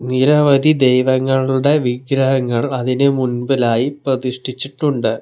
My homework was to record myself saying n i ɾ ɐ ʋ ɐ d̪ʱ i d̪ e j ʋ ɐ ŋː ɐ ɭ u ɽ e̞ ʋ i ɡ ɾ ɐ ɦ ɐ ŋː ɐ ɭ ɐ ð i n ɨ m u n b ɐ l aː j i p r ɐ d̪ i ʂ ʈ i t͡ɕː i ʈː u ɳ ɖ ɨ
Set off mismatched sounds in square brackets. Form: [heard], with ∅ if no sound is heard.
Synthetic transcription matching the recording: n i ɾ ɐ ʋ ɐ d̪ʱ i d̪ e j ʋ ɐ ŋː ɐ ɭ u ɽ e̞ ʋ i ɡ ɾ ɐ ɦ ɐ ŋː ɐ ɭ ɐ ð i n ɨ m u n b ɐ l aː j i p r ɐ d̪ i ʂ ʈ i t͡ɕː i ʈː u ɳ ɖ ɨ